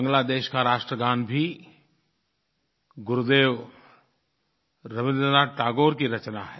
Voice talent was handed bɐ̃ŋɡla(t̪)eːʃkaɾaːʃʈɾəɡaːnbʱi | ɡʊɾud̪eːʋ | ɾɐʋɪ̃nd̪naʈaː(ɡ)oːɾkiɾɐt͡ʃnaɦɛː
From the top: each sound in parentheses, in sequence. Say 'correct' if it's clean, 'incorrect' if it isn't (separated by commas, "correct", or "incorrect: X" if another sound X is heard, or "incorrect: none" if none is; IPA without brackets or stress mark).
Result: incorrect: d̪, correct